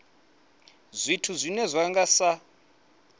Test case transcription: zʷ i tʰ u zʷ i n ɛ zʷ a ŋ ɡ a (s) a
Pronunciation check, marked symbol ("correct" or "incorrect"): correct